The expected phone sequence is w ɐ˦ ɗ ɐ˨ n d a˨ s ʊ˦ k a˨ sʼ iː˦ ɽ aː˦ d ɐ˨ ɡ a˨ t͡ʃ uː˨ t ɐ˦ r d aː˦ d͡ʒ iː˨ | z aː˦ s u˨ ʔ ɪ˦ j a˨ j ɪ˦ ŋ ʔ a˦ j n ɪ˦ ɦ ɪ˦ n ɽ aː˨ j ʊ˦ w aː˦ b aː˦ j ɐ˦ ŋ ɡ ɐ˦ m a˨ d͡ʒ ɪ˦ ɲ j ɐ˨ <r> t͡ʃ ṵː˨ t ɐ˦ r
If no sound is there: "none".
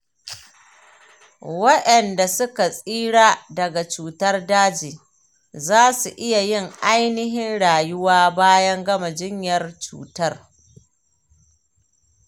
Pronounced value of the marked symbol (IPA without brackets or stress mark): r